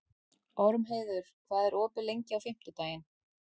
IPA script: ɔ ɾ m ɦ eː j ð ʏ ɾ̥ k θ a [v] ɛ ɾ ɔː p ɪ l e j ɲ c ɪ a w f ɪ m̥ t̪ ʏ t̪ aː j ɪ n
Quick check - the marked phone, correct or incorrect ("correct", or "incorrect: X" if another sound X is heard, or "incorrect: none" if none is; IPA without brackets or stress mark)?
incorrect: ð